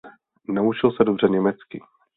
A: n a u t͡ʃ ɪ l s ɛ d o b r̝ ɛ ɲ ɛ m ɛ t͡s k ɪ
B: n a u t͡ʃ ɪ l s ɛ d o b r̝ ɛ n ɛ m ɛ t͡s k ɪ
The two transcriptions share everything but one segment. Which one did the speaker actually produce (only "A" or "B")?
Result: A